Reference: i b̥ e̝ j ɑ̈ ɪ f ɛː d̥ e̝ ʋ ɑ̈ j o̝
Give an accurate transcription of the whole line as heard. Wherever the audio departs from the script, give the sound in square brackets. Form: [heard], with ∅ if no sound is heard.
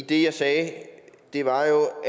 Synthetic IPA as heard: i [d̥] e̝ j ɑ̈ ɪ [s] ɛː d̥ e̝ ʋ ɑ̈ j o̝